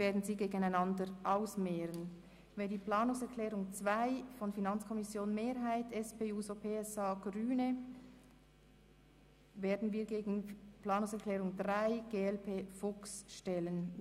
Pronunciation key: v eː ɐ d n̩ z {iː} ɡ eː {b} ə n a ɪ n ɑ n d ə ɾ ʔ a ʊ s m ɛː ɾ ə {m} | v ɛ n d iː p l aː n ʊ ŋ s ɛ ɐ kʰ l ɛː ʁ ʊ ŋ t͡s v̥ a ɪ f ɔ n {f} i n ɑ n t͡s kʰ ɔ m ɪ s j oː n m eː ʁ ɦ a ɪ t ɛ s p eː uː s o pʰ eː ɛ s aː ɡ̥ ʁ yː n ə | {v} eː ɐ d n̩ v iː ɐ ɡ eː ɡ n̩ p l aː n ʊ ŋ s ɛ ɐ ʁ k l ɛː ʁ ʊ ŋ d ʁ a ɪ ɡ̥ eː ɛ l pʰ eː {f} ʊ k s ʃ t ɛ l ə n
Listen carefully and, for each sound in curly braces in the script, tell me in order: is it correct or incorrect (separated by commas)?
correct, incorrect, incorrect, correct, correct, correct